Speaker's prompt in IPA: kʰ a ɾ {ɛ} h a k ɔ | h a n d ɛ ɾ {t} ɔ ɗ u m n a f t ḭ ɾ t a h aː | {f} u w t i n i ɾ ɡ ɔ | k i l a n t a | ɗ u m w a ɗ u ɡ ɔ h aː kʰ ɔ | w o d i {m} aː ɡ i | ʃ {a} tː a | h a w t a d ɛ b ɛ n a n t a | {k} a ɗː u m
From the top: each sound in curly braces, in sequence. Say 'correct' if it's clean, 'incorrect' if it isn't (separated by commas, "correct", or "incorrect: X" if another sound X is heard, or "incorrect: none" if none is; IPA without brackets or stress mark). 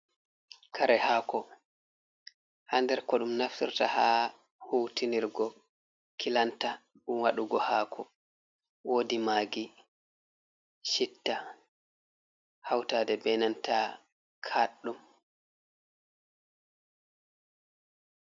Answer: correct, incorrect: k, incorrect: h, correct, incorrect: i, incorrect: kʰ